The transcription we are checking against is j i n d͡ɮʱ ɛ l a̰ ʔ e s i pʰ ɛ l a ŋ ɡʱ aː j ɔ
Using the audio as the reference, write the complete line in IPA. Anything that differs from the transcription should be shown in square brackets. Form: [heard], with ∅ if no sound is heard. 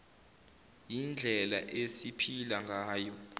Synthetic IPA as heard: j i n d͡ɮʱ ɛ l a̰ ʔ e s i pʰ [i] l a ŋ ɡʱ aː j ɔ

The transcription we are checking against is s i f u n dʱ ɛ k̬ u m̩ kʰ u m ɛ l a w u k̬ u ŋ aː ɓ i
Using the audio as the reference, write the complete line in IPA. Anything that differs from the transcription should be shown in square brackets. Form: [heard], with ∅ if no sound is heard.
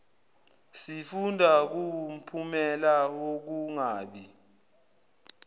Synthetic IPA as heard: s i f u n dʱ [a] k̬ u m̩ [pʰ] u m ɛ l a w [o] k̬ u ŋ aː ɓ i

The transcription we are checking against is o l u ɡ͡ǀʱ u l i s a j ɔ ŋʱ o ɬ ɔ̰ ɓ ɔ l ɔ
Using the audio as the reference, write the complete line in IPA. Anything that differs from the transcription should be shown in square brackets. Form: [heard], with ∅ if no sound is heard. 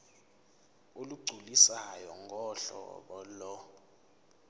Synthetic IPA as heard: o l u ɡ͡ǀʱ u l i s a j ɔ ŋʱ [ɔ] ɬ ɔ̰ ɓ ɔ l ɔ

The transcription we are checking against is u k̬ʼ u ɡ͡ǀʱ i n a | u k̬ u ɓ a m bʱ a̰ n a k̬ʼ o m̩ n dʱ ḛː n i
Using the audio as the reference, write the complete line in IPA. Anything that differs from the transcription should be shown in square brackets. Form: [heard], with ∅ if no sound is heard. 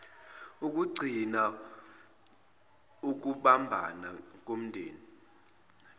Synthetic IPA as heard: u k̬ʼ u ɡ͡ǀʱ i n a | u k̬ u ɓ a m bʱ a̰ n a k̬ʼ o m̩ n dʱ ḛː n i

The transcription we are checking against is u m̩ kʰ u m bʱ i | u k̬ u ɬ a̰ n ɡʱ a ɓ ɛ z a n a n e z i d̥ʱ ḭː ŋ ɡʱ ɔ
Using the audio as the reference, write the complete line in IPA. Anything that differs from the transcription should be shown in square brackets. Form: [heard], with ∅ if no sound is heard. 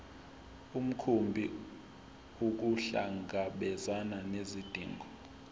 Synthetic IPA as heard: u m̩ kʰ u m bʱ i | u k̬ u ɬ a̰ [ŋ] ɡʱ a ɓ ɛ z a n a n e z i d̥ʱ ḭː ŋ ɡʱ ɔ

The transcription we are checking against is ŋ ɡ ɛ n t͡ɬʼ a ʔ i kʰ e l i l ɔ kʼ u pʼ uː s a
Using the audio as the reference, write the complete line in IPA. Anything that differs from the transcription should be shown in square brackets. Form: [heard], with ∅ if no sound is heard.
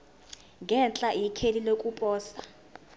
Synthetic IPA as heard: ŋ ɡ ɛ n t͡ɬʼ a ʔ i kʰ e l i l [o] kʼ u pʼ [ɔː] s a

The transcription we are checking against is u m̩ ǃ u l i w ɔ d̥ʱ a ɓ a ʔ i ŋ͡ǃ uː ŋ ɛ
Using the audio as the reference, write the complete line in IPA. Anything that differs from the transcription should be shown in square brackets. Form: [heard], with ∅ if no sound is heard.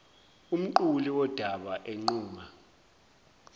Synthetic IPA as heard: u m̩ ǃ u l i w ɔ d̥ʱ a ɓ a ʔ [e] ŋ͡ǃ uː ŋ [a]

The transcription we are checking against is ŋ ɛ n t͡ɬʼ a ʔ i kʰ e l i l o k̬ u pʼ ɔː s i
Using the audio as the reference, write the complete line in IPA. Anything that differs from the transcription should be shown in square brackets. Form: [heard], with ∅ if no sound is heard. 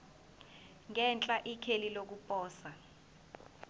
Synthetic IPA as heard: ŋ ɛ n t͡ɬʼ a ʔ i kʰ e l i l o k̬ u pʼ ɔː s [a]

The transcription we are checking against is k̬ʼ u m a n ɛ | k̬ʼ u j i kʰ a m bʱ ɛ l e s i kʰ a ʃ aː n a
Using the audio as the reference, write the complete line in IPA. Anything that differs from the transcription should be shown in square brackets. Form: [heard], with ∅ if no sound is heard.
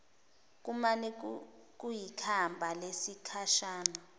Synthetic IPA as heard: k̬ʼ u m a n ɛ | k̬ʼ u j i kʰ a m bʱ [a] l e s i kʰ a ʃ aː n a

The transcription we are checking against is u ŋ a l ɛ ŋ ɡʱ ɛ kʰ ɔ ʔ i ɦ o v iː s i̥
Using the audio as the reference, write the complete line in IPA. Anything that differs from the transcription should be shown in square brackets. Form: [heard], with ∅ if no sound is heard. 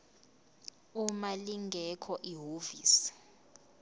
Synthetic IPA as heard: u [m] a l [i] ŋ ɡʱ ɛ kʰ ɔ ʔ i ɦ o v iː s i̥

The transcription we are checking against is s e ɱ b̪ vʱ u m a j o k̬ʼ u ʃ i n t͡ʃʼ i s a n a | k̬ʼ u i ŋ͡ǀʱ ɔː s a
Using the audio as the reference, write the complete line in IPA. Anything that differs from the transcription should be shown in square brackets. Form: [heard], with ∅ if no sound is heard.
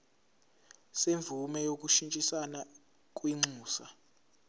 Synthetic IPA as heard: s e ɱ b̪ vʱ u m [ɛ] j o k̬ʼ u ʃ i n t͡ʃʼ i s a n a | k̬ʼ [w] i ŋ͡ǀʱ [uː] s a

